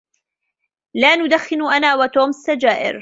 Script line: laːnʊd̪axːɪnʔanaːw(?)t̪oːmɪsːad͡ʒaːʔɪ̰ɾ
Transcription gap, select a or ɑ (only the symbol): a